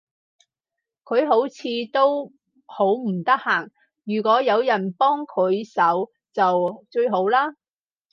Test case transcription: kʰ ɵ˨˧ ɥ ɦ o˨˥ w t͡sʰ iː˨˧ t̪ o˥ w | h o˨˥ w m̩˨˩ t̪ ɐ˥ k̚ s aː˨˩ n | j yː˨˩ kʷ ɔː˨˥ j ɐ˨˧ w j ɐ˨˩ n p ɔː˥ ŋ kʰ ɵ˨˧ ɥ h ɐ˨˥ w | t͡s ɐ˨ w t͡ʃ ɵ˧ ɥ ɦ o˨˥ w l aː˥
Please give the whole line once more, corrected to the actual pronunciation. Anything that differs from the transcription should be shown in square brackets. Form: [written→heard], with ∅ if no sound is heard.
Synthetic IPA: kʰ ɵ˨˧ ɥ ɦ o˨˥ w t͡sʰ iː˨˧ t̪ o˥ w | h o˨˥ w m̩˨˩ t̪ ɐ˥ k̚ [s→h] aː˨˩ [n→ŋ] | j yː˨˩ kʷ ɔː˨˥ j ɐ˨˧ w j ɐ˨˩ n p ɔː˥ ŋ kʰ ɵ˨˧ ɥ [h→s] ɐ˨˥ w | t͡s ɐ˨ w t͡ʃ ɵ˧ ɥ ɦ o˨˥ w l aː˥